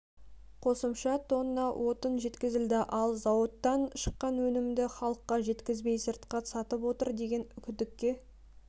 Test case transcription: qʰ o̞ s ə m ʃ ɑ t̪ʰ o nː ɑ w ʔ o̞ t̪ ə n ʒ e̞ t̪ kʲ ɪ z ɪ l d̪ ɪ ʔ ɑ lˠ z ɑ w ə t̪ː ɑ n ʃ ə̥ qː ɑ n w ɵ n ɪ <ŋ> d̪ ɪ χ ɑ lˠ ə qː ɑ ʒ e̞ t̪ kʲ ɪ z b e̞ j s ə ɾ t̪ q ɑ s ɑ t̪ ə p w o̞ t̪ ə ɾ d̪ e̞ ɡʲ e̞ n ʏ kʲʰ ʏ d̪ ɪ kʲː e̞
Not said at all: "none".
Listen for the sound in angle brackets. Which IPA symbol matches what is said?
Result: m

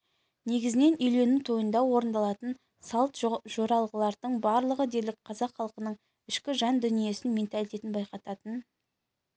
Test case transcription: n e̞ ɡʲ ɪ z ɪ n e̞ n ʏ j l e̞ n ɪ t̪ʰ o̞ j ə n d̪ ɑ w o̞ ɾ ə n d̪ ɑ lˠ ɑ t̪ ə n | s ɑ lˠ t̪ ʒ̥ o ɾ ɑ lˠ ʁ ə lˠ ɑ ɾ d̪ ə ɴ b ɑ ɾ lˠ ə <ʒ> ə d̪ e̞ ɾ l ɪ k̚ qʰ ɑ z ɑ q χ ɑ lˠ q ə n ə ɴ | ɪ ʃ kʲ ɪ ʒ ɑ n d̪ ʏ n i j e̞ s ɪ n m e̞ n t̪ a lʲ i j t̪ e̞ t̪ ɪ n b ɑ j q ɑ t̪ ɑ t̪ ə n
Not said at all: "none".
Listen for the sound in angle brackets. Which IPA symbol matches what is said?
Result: ʁ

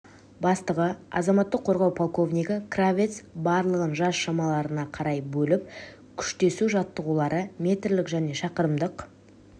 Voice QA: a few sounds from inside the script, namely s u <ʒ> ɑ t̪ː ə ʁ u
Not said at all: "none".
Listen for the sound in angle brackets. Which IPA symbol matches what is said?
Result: ʒ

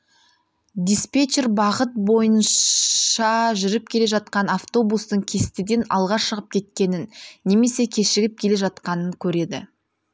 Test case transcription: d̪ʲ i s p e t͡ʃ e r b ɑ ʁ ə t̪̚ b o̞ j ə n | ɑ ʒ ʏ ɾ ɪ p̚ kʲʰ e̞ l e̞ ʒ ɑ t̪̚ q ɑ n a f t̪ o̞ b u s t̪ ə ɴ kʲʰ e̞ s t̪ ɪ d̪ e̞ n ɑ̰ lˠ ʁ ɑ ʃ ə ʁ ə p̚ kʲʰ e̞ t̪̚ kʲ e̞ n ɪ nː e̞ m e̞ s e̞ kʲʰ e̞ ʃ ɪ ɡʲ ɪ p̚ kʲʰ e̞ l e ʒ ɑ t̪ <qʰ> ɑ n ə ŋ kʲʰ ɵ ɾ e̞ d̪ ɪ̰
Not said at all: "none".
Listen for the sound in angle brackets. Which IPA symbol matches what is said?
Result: q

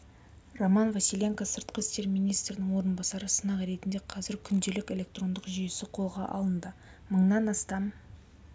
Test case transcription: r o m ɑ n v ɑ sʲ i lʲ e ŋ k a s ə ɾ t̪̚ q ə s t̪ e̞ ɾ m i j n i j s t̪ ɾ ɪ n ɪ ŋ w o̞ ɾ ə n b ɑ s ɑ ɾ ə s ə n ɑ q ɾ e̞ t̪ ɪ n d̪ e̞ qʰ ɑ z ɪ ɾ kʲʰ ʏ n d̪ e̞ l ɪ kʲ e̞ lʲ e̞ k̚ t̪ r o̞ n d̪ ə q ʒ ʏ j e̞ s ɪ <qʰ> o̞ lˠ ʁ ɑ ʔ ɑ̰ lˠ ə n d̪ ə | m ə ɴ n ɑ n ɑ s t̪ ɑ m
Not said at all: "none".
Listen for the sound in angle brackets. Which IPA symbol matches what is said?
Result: qʰ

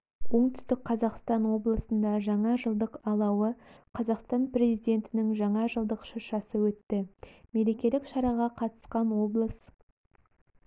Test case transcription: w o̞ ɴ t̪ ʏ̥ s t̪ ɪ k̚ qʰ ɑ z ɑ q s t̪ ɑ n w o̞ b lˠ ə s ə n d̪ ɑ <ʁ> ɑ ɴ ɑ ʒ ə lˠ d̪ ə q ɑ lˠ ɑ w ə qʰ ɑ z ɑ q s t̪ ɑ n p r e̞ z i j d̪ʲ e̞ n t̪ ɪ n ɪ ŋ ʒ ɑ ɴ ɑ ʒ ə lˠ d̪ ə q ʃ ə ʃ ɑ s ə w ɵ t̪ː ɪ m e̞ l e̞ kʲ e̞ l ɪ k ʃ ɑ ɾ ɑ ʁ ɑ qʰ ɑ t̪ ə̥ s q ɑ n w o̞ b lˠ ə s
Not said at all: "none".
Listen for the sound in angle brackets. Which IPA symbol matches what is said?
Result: ʒ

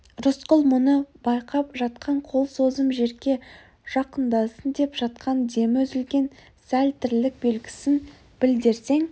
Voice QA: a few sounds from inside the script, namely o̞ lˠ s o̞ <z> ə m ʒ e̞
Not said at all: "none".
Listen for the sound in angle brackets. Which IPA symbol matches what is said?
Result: z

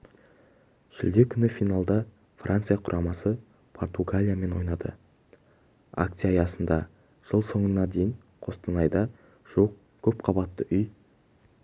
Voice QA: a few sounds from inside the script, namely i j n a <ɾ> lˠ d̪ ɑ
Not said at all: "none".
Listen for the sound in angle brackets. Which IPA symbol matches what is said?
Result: none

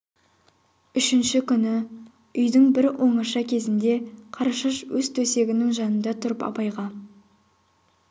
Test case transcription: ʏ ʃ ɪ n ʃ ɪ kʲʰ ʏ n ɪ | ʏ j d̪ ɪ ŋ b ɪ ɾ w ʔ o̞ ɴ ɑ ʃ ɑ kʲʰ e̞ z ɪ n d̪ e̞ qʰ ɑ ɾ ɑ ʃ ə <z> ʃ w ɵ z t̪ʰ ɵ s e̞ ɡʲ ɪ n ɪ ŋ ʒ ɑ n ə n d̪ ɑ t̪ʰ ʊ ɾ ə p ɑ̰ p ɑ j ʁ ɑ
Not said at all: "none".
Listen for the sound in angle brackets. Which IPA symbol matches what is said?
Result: none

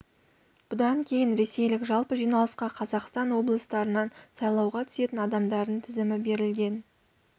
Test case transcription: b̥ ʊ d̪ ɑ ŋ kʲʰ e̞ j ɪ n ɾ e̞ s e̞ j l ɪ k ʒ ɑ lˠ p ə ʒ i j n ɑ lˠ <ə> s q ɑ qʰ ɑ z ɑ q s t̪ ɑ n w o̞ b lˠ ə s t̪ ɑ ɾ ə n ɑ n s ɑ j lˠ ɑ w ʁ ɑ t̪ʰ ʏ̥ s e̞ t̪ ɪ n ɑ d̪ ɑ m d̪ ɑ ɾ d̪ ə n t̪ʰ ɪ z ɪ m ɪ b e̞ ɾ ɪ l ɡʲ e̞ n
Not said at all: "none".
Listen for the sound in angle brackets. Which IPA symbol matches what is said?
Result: ə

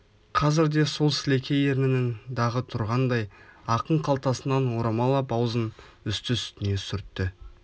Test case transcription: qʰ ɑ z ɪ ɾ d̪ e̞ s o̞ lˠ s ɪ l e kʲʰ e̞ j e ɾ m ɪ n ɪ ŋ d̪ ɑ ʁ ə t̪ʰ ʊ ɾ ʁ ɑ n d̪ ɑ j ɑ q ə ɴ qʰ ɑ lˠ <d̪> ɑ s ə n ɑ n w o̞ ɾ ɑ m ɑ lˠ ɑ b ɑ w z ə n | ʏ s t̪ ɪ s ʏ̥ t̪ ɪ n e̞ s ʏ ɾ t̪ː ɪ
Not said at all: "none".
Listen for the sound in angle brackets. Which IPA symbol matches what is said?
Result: t̪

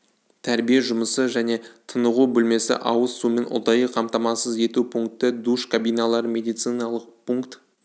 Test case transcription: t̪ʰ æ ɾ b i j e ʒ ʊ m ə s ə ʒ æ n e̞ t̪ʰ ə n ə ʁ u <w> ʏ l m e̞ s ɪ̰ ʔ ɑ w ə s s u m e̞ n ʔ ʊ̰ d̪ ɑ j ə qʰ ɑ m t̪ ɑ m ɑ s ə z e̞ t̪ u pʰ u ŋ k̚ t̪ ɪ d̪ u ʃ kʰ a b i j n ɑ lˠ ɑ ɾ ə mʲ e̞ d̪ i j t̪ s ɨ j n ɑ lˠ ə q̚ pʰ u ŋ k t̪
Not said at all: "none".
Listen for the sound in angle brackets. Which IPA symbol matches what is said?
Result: b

